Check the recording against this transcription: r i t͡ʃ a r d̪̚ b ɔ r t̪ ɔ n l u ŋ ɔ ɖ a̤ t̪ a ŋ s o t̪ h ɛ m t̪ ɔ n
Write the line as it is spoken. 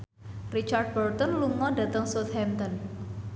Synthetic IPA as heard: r i t͡ʃ a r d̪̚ b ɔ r t̪ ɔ n l u ŋ ɔ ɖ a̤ t̪ ə ŋ s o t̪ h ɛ m t̪ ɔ n